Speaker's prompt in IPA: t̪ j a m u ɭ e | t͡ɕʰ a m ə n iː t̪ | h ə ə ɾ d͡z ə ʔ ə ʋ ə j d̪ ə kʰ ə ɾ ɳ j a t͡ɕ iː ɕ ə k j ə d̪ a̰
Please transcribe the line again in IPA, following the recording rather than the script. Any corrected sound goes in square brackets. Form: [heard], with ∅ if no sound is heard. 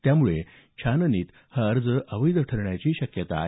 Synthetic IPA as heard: t̪ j a m u ɭ e | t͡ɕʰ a [n] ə n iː t̪ | h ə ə ɾ d͡z ə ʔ ə ʋ ə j d̪ ə [ʈʰ] ə ɾ ɳ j a t͡ɕ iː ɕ ə k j ə [t̪] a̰